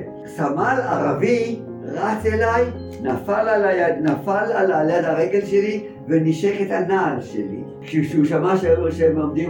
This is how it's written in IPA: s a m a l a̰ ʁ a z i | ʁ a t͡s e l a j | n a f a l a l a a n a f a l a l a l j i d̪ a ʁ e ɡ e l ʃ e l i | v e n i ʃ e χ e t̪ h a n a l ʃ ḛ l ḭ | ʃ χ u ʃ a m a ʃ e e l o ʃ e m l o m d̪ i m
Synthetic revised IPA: s a m a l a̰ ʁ a v i | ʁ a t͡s e l a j | n a f a l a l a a n a f a l a l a l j a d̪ a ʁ e ɡ e l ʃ e l i | v e n i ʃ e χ e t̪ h a n a l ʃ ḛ l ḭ | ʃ ʃ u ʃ a m a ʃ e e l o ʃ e m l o m d̪ i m